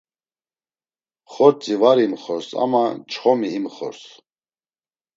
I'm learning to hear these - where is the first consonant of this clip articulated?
uvula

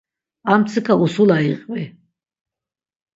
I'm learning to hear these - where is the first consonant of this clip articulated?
lips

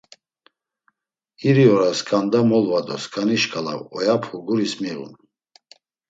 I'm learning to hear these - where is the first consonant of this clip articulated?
tongue tip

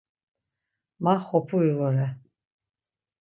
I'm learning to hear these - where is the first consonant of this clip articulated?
lips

